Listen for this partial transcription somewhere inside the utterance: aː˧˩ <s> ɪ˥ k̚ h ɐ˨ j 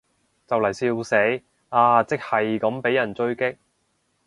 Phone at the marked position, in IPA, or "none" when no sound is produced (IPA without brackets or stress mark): t͡s